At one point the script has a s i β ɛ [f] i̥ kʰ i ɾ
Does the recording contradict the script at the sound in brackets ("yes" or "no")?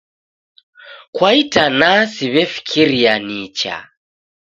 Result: no